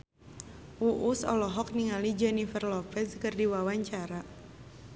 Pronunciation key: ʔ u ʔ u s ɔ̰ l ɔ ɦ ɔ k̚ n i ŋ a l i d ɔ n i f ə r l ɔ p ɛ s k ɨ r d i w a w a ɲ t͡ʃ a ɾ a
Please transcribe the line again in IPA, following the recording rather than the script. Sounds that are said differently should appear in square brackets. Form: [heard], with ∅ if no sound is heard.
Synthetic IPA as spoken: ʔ u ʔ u s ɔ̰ l ɔ ɦ ɔ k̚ n i ŋ a l i [d͡ʒ] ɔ n i f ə r l ɔ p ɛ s k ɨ r d i w a w a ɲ t͡ʃ a ɾ a